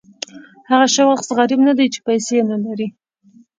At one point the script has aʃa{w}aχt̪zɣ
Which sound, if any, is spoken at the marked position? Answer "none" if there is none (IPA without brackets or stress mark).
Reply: w